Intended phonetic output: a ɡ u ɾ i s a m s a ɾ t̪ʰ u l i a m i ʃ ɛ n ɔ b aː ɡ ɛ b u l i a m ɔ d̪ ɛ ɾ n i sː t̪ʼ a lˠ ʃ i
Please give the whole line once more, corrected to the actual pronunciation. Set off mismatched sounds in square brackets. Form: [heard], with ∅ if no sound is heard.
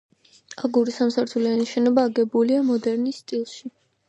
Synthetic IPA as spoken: a ɡ u ɾ i s a m s a ɾ t̪ʰ u l i a [n] i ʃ ɛ n ɔ b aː ɡ ɛ b u l i a m ɔ d̪ ɛ ɾ n i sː t̪ʼ [i] lˠ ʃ i